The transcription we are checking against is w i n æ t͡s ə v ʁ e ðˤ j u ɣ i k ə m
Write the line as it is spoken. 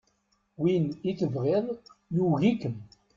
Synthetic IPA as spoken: w i n i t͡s ə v ʁ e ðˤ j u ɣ i k ə m